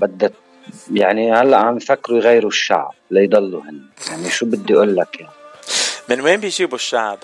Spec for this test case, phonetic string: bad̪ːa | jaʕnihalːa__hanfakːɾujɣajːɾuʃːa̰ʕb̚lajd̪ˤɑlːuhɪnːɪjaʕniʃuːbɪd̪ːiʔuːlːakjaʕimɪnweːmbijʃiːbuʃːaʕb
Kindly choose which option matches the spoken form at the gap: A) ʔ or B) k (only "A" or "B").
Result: A